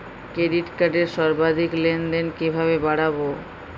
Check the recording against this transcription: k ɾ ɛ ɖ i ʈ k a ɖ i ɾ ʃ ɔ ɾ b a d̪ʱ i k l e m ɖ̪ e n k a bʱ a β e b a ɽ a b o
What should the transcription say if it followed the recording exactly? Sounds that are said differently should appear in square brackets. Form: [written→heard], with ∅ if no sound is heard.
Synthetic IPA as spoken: k ɾ [ɛ→e] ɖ i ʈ k a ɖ [i→e] ɾ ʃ ɔ ɾ b a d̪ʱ i k l e [m→n] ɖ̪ e n k [a→i] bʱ a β e b a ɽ a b o